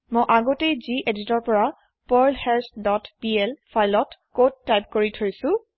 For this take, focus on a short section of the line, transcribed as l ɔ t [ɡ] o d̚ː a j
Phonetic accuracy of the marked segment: incorrect: k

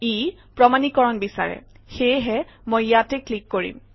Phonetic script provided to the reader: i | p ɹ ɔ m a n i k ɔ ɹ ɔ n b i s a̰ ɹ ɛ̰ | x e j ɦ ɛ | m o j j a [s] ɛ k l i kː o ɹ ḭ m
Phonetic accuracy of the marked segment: incorrect: t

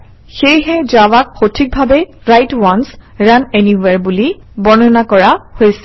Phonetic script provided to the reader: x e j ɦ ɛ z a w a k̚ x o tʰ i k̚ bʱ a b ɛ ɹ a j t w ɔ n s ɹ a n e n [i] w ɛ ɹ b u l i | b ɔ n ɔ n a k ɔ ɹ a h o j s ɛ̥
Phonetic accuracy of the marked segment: correct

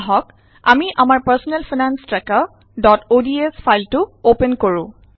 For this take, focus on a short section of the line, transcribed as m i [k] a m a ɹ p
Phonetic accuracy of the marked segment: incorrect: ʔ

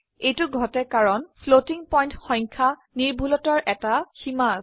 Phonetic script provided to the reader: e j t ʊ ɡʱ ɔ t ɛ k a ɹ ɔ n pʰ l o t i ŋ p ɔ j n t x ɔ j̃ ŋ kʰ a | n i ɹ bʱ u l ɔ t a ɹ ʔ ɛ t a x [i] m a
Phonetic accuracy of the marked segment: correct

